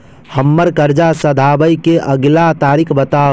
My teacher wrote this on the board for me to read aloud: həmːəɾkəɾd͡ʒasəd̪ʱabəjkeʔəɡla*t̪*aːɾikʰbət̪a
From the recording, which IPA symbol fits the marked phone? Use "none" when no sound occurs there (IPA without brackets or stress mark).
t̪